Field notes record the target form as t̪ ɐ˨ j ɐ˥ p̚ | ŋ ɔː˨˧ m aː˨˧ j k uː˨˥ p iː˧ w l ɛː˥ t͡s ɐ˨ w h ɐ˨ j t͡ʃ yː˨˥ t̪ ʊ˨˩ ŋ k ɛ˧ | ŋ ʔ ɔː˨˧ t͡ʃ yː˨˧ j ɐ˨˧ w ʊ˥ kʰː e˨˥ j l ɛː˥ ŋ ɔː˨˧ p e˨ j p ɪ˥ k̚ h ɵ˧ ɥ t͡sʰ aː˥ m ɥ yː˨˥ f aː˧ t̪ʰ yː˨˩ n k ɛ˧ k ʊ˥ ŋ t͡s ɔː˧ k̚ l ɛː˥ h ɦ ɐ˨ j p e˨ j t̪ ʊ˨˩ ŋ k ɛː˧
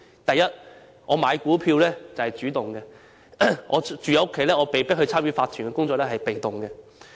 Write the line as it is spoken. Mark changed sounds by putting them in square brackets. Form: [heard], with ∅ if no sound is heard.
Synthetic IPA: t̪ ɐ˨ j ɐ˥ [t̚] | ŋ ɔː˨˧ m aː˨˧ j k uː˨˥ [pʰ] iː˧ w l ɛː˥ t͡s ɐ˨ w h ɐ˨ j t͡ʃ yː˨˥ t̪ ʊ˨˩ ŋ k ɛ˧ | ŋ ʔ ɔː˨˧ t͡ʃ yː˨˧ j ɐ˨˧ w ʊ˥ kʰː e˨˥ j l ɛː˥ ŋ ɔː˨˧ p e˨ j p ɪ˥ k̚ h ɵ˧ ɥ t͡sʰ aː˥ m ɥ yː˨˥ f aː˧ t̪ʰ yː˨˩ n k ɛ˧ k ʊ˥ ŋ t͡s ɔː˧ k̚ l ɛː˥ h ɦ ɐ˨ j p e˨ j t̪ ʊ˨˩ ŋ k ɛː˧